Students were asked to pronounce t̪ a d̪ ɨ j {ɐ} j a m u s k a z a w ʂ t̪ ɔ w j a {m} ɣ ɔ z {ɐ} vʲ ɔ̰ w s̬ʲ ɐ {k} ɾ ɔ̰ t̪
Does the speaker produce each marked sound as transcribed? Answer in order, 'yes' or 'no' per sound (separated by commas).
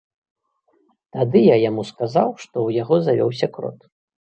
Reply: no, no, no, yes